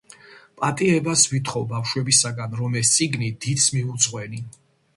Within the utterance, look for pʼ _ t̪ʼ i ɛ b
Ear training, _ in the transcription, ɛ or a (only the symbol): a